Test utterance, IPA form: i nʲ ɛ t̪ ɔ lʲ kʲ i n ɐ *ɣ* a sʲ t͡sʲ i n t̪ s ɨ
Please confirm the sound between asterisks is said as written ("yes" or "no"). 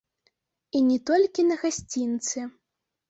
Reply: yes